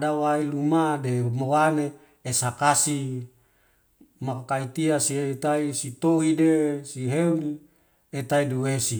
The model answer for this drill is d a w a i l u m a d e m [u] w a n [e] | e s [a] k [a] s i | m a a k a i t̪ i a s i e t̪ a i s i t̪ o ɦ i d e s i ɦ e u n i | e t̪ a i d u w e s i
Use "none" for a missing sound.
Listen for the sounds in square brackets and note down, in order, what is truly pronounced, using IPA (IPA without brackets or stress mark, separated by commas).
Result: o, e, a, a